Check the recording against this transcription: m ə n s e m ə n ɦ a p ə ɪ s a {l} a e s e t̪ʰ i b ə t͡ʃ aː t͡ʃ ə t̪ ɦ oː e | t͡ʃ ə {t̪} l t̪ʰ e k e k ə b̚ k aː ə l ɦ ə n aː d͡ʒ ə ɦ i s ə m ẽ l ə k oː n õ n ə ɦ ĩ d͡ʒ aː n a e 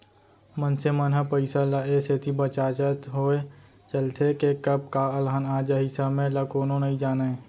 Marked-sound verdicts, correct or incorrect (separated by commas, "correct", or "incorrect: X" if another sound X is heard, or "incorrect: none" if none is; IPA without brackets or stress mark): correct, incorrect: none